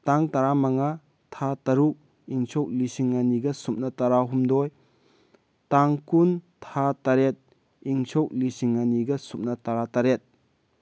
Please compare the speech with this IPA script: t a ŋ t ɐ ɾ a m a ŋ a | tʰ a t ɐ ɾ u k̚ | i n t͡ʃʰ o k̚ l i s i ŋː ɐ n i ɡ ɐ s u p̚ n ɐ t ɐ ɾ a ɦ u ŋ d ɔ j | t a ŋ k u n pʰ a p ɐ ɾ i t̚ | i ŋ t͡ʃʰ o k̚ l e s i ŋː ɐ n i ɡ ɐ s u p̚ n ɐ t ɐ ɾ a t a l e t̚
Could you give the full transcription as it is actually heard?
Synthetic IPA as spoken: t a ŋ t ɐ ɾ a m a ŋ a | tʰ a t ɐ ɾ u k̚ | i ŋ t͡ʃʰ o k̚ l i s i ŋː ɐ n i ɡ ɐ s u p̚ n ɐ t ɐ ɾ a ɦ u m d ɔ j | t a ŋ k u n tʰ a t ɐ ɾ e t̚ | i ŋ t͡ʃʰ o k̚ l i s i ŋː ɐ n i ɡ ɐ s u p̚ n ɐ t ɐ ɾ a t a ɾ e t̚